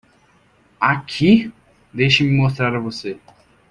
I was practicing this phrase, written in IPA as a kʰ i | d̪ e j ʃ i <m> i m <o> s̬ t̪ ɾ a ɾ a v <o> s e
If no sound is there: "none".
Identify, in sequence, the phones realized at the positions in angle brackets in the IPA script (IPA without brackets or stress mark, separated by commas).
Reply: m, o, o